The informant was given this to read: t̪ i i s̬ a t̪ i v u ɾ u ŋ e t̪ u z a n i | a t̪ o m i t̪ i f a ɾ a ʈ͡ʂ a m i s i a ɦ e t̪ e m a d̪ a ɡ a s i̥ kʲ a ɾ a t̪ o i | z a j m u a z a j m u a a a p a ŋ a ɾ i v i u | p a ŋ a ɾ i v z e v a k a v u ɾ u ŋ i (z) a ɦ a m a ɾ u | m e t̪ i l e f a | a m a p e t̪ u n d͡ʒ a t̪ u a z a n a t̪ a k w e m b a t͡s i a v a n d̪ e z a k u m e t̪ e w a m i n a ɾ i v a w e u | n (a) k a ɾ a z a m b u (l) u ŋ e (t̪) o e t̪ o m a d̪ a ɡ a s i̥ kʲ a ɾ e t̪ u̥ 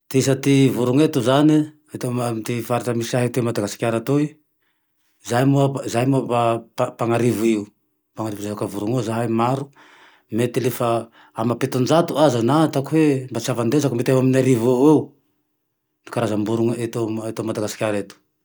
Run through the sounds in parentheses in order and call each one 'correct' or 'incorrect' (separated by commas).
correct, incorrect, incorrect, correct